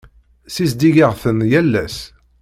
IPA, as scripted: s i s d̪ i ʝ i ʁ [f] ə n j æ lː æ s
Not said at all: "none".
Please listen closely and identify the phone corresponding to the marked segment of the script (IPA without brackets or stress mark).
θ